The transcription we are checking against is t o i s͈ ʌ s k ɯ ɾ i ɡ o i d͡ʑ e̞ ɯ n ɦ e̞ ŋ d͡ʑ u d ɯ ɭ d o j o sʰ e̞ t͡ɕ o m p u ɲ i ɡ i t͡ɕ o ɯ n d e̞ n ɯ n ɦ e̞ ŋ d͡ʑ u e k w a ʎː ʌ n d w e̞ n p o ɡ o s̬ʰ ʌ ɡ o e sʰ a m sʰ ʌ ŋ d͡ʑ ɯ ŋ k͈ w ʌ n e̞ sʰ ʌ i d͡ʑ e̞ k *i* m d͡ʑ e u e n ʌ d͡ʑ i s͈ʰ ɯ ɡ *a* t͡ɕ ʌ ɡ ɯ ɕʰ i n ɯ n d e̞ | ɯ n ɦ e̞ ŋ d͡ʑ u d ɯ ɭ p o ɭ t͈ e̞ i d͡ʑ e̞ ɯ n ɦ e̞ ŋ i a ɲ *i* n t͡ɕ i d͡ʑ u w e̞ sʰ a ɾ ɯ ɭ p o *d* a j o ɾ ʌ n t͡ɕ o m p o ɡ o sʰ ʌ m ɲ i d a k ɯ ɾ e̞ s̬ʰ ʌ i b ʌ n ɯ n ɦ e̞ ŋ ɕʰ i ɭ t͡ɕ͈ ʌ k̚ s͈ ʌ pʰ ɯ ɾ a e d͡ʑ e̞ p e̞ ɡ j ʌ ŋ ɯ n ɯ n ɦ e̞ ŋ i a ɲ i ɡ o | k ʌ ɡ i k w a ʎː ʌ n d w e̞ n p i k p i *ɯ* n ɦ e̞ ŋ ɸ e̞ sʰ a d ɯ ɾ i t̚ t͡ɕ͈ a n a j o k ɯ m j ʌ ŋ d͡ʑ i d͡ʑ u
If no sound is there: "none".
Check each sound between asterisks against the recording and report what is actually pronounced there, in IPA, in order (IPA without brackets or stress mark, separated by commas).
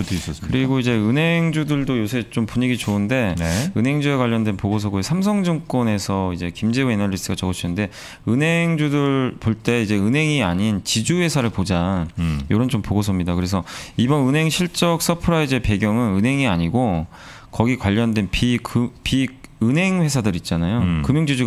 i, a, i, d͡ʑ, ɯ